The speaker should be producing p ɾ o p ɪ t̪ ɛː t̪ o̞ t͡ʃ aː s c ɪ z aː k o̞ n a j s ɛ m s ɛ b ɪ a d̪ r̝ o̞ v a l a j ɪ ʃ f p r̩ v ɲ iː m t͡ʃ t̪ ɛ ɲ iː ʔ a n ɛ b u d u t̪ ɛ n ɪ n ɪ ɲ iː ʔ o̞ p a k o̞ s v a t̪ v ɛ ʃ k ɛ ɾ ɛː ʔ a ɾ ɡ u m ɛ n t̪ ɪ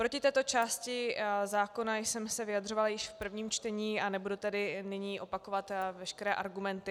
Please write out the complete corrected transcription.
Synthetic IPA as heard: p ɾ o c ɪ t̪ ɛː t̪ o̞ t͡ʃ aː s c ɪ z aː k o̞ n a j s ɛ m s ɛ v ɪ a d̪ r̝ o̞ v a l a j ɪ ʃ f p r̩ v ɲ iː m t͡ʃ t̪ ɛ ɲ iː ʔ a n ɛ b u d u t̪ ɛ d ɪ n ɪ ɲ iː ʔ o̞ p a k o̞ v a t̪ v ɛ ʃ k ɛ ɾ ɛː ʔ a ɾ ɡ u m ɛ n t̪ ɪ